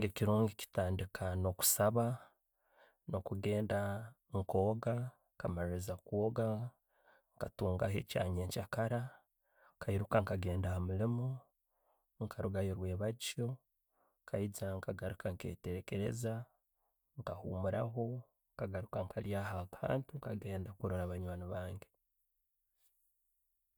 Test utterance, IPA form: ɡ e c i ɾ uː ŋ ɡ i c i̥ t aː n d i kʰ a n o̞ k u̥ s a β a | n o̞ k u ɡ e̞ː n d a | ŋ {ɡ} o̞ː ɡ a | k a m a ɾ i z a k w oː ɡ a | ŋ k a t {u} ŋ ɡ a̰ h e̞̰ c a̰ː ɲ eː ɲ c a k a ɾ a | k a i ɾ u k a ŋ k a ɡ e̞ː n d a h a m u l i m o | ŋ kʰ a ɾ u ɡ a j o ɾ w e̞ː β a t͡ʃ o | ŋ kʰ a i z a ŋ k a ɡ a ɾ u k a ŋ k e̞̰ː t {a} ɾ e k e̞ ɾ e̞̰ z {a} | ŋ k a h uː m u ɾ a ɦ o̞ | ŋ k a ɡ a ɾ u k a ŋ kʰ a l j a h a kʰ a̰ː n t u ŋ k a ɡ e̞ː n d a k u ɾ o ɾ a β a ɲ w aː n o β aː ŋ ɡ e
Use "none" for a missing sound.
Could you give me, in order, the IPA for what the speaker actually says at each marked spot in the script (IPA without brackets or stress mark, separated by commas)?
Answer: k, uː, e, a